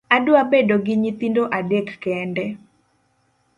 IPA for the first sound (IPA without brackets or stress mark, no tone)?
a